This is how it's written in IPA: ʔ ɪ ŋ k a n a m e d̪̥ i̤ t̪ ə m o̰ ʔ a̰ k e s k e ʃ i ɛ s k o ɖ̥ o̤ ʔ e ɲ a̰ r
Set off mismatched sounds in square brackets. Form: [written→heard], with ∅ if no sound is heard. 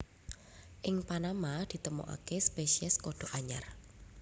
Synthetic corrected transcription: ʔ ɪ ŋ [k→p] a n a m [e→a] d̪̥ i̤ t̪ ə m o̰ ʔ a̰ k e s [k→p] e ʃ i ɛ s k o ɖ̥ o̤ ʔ [e→a] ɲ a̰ r